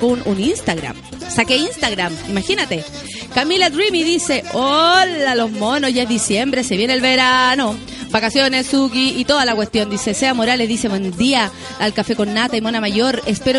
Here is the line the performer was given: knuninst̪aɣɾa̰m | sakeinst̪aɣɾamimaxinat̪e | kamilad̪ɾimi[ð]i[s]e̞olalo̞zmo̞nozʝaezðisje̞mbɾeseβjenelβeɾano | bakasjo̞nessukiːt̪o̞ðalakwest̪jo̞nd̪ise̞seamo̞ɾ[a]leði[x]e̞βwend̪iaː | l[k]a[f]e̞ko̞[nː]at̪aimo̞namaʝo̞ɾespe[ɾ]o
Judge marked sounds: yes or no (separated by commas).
yes, yes, yes, no, yes, yes, yes, yes